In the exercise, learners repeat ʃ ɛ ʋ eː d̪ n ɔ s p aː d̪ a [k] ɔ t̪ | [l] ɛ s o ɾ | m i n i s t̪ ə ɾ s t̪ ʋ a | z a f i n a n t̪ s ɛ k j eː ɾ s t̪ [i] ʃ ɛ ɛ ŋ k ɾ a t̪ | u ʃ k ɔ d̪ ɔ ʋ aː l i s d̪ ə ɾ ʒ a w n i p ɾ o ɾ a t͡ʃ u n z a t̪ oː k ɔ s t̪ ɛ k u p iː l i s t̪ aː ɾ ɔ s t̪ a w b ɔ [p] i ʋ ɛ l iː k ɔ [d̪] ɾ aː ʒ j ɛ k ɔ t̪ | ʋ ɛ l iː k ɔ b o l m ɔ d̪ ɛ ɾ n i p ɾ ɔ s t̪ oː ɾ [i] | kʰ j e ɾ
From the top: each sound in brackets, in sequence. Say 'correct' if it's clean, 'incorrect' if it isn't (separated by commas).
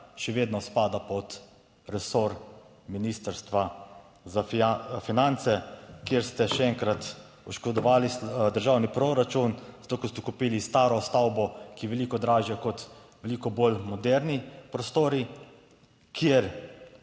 incorrect, incorrect, incorrect, incorrect, correct, correct